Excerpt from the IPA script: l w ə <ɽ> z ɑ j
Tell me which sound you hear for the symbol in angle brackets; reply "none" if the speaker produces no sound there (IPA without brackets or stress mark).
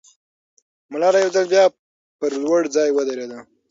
ɽ